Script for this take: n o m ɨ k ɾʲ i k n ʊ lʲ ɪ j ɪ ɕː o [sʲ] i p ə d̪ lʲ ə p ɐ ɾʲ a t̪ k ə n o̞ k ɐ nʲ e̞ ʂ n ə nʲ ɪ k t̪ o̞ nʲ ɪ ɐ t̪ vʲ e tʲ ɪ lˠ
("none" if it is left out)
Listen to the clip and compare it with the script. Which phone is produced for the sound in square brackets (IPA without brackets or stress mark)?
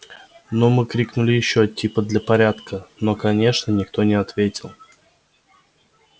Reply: tʲ